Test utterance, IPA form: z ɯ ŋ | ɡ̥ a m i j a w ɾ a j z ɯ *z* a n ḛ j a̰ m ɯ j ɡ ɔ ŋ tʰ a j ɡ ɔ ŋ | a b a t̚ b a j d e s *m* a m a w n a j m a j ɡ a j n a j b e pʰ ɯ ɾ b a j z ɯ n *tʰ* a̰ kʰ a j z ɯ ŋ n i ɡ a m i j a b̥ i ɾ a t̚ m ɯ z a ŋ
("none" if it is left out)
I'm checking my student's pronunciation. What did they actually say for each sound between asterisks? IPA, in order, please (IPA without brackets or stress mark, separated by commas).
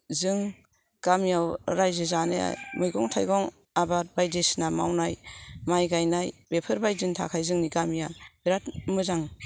z, n, tʰ